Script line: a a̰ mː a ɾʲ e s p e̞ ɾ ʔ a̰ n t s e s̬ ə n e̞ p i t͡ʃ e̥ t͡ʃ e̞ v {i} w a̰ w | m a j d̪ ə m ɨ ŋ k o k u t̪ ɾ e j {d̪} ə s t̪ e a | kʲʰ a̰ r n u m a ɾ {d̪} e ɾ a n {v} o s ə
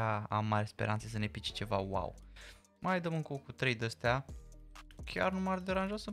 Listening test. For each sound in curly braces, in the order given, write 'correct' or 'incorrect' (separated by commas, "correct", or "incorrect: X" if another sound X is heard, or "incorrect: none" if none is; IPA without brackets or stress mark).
incorrect: a, correct, correct, incorrect: ʒ